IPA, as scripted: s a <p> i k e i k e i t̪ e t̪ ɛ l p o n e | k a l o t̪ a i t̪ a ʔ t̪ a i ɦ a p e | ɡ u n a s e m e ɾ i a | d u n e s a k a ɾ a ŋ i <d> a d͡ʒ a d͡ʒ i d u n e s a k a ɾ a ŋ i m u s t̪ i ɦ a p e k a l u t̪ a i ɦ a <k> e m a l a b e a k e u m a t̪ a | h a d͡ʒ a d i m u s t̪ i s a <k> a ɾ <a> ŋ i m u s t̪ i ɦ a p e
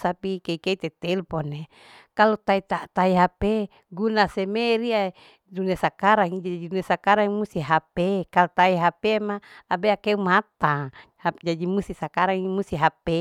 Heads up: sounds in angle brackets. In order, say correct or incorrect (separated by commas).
correct, incorrect, incorrect, correct, correct